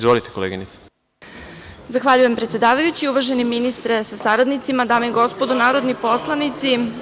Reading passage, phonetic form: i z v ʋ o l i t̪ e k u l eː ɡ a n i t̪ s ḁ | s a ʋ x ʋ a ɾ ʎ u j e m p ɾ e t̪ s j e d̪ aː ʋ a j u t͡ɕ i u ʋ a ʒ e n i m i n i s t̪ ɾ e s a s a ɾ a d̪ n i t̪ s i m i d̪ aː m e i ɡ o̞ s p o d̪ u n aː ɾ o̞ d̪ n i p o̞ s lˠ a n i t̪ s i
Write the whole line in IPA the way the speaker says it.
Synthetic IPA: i z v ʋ o l i t̪ e k o l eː ɡ i n i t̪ s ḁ | z a x ʋ a ʎ u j e m p ɾ e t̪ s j e d̪ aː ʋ a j u t͡ɕ i u ʋ a ʒ e n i m i n i s t̪ ɾ e s a s a ɾ a d̪ n i t̪ s i m a d̪ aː m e i ɡ o̞ s p o d̪ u n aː ɾ o̞ d̪ n i p o̞ s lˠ a n i t̪ s i